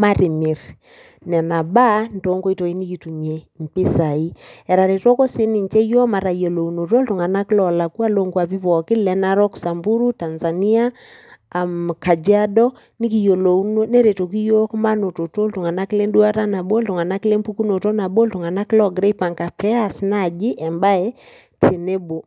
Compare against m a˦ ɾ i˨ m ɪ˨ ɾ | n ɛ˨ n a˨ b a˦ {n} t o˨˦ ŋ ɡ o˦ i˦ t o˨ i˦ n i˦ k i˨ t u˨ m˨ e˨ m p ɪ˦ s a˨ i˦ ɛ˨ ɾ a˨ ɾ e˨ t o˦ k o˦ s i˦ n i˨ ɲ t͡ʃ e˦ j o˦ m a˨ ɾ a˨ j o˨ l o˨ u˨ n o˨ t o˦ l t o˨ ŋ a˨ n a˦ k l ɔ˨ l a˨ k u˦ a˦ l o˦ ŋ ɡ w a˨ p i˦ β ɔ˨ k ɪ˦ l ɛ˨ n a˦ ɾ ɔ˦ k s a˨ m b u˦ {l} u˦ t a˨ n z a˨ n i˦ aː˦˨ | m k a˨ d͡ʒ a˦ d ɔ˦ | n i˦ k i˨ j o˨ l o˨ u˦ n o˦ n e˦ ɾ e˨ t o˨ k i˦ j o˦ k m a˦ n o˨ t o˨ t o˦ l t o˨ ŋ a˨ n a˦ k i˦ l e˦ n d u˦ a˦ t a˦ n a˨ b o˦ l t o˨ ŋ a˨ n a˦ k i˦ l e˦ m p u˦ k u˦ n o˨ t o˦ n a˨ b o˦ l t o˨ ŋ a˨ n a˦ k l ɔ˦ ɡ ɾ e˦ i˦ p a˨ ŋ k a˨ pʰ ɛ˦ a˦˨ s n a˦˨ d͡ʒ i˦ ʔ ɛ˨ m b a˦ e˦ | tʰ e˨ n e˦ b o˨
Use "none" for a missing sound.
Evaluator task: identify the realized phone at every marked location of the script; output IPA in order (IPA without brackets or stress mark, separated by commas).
n, ɾ